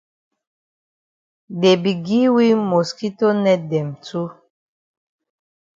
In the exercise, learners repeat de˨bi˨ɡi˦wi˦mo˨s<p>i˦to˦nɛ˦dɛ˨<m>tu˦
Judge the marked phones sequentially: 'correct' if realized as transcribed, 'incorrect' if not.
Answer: incorrect: k, correct

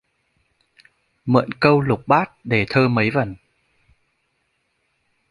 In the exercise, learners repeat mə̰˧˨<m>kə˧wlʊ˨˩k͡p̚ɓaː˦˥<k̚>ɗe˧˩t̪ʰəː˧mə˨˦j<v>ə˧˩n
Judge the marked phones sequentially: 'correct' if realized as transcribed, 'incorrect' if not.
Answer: incorrect: n, incorrect: t̚, correct

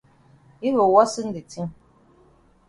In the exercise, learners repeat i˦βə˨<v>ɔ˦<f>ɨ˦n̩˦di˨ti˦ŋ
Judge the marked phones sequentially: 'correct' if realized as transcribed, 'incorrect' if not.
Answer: incorrect: w, incorrect: s

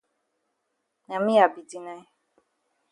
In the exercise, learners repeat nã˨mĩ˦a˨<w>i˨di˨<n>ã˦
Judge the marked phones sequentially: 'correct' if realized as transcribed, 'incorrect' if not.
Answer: incorrect: b, correct

